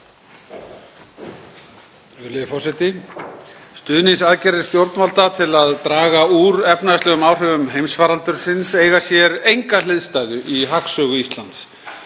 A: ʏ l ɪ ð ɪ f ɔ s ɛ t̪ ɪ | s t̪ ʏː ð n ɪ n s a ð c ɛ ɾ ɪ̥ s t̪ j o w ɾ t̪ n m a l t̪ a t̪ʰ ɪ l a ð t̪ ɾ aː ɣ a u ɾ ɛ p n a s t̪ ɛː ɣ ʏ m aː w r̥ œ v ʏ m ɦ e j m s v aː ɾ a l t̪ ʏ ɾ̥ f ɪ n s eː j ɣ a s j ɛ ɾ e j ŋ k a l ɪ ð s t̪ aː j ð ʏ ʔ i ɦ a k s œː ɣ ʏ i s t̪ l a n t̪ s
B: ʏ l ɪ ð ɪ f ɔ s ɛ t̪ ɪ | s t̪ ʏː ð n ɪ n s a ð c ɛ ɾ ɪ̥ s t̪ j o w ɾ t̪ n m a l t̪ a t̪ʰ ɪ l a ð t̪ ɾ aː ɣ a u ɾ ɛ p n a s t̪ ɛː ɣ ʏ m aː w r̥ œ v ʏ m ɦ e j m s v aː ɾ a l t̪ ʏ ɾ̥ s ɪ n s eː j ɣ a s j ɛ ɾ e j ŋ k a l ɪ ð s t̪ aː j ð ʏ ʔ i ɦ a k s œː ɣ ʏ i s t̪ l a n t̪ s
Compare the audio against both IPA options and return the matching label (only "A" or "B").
B